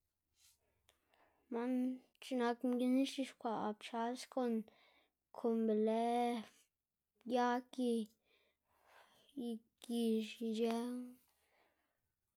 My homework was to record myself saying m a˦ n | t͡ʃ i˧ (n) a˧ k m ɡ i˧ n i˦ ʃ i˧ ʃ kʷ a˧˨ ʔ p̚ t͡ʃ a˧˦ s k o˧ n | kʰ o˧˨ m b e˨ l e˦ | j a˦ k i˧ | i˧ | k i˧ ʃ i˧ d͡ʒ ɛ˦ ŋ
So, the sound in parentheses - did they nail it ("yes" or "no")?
yes